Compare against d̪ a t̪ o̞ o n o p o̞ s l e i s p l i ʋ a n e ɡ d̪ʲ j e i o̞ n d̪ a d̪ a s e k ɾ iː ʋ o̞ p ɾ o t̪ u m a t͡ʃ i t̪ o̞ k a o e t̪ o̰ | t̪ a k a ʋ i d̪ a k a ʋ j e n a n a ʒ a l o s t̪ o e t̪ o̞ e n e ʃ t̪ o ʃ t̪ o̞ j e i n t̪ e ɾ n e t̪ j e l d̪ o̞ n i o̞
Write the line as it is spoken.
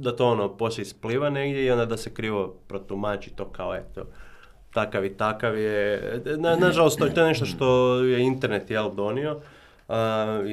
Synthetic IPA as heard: d̪ a t̪ o̞ o n o p o̞ s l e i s p l i ʋ a n e ɡ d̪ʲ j e i o̞ n d̪ a d̪ a s e k ɾ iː ʋ o̞ p ɾ o t̪ u m a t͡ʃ i t̪ o̞ k a o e t̪ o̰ | t̪ a k a ʋ i t̪ a k a ʋ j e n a n a ʒ a l o s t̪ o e t̪ o̞ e n e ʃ t̪ o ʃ t̪ o̞ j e i n t̪ e ɾ n e t̪ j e l d̪ o̞ n i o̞